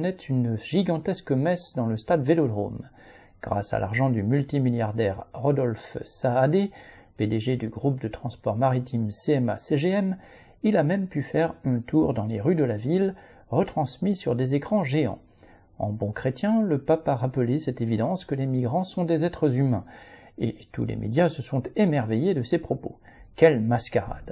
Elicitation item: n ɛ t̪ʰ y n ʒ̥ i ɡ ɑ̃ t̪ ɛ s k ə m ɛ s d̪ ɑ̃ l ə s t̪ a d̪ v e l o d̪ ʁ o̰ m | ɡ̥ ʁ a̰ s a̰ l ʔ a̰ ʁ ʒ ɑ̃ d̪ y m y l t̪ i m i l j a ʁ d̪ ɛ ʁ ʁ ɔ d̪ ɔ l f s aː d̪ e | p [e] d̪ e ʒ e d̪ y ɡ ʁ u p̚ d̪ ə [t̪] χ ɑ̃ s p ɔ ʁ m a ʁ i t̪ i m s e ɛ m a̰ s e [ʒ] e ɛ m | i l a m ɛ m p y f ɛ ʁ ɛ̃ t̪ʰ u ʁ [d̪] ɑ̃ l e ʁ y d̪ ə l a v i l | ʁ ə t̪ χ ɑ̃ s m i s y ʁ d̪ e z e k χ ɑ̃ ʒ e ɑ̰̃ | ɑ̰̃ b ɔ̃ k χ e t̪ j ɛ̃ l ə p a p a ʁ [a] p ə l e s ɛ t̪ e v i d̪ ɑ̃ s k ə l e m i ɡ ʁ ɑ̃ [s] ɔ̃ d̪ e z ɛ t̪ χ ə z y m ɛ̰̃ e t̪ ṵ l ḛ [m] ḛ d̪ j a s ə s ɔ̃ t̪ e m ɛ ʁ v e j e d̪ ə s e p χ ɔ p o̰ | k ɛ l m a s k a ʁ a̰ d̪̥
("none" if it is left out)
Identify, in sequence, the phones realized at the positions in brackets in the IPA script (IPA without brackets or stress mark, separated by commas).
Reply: e, t̪, ʒ, d̪, a, s, m